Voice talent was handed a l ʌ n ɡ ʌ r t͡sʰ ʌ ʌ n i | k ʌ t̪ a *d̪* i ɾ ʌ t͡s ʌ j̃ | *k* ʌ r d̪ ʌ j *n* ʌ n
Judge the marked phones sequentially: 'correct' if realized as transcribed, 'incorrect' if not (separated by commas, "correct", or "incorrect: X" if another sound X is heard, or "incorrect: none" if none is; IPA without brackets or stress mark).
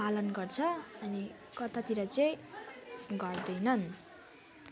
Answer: incorrect: t̪, incorrect: ɡ, correct